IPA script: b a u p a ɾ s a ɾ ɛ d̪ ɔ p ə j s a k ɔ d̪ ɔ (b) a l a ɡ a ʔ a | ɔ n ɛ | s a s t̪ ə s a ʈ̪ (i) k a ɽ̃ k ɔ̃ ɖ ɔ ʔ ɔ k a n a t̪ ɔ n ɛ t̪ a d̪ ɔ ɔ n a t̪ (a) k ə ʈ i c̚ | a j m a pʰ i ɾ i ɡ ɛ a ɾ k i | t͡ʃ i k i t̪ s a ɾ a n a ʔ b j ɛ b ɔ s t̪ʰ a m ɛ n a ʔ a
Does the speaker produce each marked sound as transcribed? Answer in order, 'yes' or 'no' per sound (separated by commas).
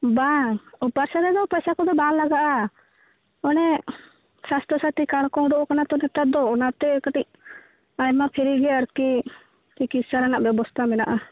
yes, yes, no